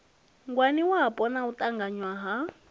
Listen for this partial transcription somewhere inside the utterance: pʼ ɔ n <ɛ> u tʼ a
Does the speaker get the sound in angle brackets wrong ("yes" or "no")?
yes